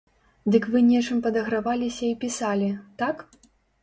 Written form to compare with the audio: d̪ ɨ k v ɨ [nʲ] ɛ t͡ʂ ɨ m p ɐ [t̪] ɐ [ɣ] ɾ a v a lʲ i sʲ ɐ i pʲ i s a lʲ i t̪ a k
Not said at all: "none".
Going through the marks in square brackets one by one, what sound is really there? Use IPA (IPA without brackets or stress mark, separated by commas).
nʲ, d̪, ɣ